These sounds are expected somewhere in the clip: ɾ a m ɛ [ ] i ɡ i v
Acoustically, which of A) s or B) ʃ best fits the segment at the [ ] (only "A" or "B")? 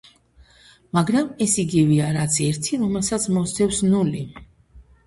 A